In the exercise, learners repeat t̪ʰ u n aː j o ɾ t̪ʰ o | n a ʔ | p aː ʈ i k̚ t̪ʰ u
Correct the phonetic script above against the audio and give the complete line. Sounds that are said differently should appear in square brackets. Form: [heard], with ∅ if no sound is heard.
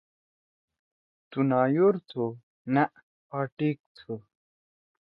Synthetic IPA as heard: [t̪] u n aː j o ɾ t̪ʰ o | n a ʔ | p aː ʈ i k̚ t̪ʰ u